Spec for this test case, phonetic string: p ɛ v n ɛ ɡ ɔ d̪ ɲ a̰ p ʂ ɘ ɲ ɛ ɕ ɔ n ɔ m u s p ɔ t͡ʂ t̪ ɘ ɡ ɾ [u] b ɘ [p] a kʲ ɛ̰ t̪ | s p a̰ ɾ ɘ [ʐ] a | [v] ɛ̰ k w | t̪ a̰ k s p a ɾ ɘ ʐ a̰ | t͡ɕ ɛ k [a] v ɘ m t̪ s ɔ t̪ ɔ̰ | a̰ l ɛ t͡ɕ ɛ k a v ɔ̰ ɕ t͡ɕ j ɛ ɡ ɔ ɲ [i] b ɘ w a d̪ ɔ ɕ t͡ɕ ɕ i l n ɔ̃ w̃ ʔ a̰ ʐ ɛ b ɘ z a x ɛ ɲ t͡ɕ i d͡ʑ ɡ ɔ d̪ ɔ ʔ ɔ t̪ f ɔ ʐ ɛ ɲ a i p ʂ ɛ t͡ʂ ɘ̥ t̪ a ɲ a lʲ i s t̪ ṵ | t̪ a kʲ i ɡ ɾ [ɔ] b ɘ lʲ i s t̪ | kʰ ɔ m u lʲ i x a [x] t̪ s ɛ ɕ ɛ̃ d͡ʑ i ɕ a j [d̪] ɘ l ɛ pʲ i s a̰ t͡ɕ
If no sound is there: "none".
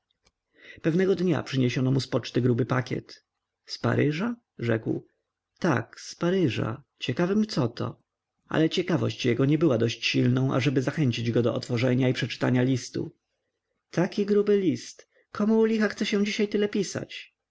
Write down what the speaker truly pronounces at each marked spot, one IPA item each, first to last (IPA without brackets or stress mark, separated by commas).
u, p, ʐ, ʐ, a, ɛ, u, x, t̪